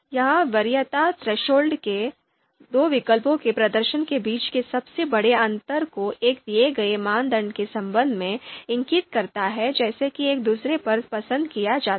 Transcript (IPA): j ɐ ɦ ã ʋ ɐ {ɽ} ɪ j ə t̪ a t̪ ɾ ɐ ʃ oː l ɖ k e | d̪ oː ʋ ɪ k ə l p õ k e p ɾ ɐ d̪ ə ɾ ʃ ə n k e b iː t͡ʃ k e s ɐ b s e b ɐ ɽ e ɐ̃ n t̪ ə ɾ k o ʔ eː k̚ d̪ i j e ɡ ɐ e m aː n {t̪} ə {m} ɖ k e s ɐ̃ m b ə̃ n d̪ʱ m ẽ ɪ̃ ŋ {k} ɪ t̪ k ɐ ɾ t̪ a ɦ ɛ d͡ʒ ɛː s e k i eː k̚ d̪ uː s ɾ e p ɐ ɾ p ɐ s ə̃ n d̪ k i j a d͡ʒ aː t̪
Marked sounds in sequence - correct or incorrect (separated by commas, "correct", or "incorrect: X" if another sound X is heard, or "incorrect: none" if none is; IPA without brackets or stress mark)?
incorrect: ɾ, incorrect: d̪, incorrect: ɳ, correct